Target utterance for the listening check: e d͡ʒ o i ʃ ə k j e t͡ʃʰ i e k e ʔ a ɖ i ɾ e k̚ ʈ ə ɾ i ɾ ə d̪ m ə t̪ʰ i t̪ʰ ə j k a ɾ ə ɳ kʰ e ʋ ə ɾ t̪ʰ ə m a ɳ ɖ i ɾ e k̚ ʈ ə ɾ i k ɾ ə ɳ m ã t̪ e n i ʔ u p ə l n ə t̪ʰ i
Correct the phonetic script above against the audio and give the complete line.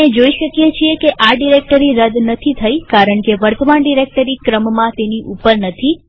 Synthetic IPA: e d͡ʒ o i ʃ ə k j e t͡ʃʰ i e k e ʔ a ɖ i ɾ e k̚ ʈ ə ɾ i ɾ ə d̪ n ə t̪ʰ i t̪ʰ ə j k a ɾ ə ɳ k e ʋ ə ɾ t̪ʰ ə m a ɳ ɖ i ɾ e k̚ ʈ ə ɾ i k ɾ ə m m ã t̪ e n i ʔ u p ə ɾ n ə t̪ʰ i